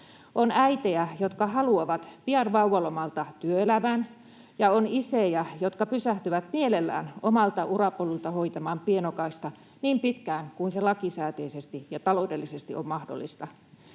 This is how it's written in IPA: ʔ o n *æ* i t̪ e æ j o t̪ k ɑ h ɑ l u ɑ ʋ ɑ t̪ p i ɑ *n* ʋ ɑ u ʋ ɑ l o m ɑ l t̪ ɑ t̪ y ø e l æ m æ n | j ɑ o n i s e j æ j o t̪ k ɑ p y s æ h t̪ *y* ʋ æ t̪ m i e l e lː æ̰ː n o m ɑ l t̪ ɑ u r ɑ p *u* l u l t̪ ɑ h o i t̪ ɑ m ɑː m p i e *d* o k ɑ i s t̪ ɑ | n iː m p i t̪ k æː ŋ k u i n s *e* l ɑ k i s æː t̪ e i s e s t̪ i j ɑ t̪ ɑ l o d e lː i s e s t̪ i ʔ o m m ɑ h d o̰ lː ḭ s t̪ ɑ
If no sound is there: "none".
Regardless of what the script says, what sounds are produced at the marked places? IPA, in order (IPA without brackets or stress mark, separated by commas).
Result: æ, n, y, o, n, e